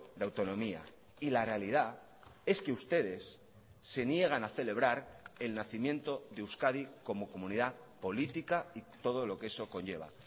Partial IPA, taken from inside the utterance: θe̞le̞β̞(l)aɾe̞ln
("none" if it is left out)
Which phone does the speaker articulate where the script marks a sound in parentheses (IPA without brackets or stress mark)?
ɾ